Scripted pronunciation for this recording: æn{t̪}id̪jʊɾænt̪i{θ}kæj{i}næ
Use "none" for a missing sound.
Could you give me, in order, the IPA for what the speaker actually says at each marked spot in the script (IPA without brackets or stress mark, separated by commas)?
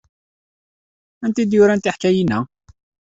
t̪, ħ, i